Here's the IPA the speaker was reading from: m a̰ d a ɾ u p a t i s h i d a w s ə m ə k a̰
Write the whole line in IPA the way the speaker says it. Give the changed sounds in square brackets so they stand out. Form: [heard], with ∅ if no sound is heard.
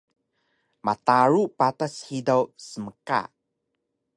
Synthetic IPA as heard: m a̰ [t] a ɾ u p a t [a] s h i d a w s ə m ə k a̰